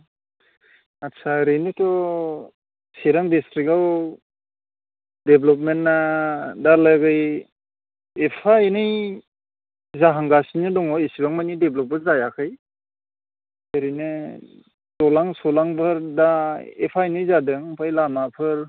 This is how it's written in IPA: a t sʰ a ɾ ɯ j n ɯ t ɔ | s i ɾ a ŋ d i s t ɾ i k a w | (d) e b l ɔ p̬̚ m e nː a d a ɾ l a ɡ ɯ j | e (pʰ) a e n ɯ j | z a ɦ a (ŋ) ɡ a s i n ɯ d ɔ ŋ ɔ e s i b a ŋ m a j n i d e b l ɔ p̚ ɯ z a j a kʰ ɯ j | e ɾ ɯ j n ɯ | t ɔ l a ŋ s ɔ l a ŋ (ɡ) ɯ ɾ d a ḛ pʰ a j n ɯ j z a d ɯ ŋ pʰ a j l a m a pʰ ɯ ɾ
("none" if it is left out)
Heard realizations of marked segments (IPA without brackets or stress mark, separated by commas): d, pʰ, ŋ, b